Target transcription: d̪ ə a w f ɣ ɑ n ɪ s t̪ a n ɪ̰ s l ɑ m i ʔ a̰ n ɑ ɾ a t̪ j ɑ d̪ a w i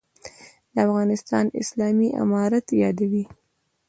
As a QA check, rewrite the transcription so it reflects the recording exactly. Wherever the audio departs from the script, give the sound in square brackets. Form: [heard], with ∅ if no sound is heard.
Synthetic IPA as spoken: d̪ ə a [∅] f ɣ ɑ n ɪ s t̪ [ɑ] n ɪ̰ s l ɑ m i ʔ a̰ [m] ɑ ɾ a t̪ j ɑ d̪ a w i